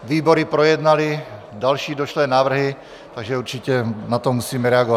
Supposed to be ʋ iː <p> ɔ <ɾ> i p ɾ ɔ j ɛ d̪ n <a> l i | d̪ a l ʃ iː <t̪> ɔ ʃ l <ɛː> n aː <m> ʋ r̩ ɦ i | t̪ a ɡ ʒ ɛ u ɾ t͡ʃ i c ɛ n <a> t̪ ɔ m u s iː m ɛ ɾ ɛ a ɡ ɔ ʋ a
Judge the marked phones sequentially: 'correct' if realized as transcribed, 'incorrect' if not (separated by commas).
incorrect, correct, correct, incorrect, correct, incorrect, correct